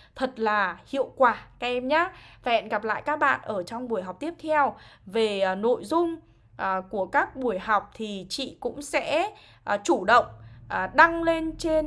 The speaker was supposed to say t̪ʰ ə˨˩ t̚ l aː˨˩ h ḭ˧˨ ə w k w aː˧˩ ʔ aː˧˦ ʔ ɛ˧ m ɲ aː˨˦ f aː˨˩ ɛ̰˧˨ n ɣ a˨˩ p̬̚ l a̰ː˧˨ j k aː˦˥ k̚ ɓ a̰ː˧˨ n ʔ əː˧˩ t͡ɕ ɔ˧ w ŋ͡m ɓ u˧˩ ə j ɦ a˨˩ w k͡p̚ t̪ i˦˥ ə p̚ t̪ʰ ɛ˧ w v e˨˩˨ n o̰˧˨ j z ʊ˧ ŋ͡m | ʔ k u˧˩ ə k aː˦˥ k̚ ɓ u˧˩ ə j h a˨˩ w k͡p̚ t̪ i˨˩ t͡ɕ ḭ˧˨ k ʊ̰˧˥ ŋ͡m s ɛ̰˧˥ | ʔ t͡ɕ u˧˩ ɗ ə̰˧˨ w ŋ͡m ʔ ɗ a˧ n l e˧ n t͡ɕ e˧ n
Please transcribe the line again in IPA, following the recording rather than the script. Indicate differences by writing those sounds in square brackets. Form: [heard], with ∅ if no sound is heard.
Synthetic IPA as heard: t̪ʰ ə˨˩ t̚ l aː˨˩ h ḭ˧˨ ə w k w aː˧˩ [k] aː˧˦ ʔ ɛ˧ m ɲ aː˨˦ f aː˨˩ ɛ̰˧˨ n ɣ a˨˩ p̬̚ l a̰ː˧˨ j k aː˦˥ k̚ ɓ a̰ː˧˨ n ʔ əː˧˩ t͡ɕ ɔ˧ w ŋ͡m ɓ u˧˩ ə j ɦ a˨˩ w k͡p̚ t̪ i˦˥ ə p̚ t̪ʰ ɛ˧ w v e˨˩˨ n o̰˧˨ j z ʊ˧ ŋ͡m | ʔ k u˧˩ ə k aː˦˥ k̚ ɓ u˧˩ ə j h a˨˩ w k͡p̚ [t̪ʰ] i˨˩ t͡ɕ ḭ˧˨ k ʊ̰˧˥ ŋ͡m s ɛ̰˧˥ | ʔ t͡ɕ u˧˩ ɗ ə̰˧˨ w ŋ͡m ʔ ɗ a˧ [ŋ] l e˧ n t͡ɕ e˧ n

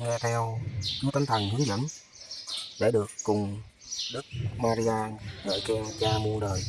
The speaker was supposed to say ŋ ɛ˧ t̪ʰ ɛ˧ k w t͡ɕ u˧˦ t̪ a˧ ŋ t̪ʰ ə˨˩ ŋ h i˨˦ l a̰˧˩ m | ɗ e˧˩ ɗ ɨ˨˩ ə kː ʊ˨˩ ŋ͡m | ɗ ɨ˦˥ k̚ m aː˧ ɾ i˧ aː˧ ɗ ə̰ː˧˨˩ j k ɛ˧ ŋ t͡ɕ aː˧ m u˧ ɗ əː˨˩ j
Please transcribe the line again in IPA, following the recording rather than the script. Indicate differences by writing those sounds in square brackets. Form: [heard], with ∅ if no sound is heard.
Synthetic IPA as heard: ŋ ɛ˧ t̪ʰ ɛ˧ [∅] w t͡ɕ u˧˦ t̪ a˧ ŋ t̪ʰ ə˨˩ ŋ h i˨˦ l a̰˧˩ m | ɗ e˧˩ ɗ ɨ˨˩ ə kː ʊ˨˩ ŋ͡m | ɗ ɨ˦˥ k̚ m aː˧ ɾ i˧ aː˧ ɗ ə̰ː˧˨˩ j k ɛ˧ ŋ t͡ɕ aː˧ m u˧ ɗ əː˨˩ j

